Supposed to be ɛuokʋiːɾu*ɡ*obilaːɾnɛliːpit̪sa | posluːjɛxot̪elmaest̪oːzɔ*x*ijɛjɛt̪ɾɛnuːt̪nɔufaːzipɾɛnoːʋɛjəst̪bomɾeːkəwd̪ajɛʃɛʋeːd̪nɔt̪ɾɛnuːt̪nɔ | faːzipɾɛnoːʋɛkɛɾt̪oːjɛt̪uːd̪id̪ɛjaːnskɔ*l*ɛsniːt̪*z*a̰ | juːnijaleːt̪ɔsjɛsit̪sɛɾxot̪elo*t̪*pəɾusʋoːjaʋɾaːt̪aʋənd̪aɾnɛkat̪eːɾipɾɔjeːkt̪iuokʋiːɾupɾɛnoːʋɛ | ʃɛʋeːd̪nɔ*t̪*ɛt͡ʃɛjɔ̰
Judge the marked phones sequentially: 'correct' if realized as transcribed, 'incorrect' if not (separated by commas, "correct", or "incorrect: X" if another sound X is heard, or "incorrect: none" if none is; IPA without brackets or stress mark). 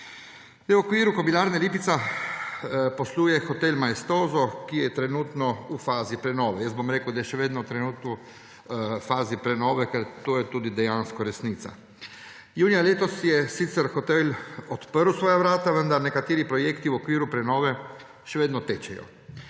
incorrect: k, incorrect: k, incorrect: ɾ, incorrect: s, correct, correct